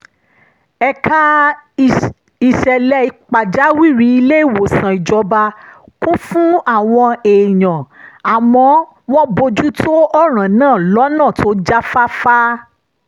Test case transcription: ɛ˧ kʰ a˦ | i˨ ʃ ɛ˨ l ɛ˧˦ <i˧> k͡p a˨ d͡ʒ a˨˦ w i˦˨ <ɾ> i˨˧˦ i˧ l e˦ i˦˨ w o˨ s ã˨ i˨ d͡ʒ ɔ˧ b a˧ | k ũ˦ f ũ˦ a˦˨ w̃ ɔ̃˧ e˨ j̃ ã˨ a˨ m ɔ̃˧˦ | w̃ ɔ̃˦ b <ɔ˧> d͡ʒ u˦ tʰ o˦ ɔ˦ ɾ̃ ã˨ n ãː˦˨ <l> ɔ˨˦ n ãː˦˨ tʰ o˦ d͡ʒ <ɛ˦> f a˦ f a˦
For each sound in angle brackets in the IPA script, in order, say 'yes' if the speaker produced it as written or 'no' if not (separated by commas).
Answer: yes, yes, no, yes, no